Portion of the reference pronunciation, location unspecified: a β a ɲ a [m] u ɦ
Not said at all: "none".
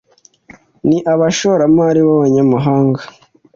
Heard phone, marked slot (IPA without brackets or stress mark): m